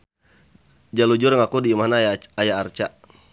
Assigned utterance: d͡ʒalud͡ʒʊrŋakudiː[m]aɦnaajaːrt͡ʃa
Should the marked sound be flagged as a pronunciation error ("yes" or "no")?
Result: no